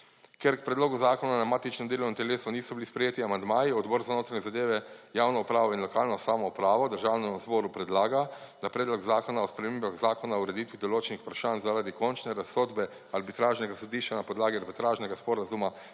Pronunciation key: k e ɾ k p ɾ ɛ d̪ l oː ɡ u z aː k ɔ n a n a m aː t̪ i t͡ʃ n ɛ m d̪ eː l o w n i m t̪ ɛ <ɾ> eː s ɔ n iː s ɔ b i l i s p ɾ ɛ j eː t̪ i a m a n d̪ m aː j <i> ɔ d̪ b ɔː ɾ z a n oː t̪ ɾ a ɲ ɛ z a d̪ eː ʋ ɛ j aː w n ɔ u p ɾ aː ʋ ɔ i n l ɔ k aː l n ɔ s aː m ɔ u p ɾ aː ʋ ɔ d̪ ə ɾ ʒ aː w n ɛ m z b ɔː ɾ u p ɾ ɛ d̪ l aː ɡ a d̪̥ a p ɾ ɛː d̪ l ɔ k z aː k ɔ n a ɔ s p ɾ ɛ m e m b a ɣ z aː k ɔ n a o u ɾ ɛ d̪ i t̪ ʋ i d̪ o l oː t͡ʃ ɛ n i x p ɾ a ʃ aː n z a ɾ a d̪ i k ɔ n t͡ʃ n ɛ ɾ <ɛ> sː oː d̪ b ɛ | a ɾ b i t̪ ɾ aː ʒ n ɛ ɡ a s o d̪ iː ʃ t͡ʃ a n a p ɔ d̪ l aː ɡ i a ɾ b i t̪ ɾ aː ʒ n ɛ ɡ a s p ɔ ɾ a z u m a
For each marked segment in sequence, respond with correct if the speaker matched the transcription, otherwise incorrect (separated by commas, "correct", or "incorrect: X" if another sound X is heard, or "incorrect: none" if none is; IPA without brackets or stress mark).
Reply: incorrect: l, correct, incorrect: a